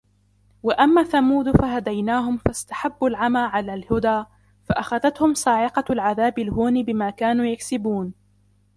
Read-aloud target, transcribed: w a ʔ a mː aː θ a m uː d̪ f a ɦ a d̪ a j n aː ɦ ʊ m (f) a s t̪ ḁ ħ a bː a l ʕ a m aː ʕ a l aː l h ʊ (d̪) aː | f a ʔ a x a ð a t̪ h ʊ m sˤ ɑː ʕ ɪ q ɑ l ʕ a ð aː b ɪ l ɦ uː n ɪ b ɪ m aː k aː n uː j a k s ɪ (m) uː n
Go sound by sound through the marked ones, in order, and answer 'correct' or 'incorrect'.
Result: correct, correct, incorrect: b

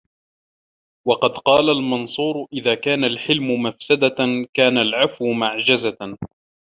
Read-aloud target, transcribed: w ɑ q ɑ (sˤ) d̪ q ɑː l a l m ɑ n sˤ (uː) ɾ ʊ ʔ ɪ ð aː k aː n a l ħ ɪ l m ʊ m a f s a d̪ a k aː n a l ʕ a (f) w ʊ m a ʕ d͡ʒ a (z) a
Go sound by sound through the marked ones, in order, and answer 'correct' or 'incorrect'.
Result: incorrect: none, correct, correct, correct

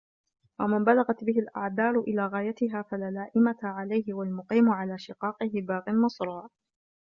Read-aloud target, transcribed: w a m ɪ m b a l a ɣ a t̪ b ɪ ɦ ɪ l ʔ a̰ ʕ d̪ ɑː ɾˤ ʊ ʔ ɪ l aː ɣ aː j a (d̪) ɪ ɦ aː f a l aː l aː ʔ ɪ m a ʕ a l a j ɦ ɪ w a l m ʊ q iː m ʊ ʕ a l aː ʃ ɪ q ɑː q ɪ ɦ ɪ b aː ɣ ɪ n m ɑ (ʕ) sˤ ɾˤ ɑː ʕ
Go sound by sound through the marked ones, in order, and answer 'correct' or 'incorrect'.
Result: incorrect: t̪, incorrect: none

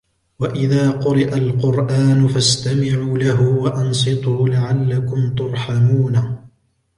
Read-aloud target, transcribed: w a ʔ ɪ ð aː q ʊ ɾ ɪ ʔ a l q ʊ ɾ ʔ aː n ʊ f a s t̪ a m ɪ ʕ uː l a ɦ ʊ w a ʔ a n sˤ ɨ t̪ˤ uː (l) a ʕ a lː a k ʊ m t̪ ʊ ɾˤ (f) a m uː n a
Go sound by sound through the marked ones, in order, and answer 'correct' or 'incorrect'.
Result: correct, incorrect: ħ

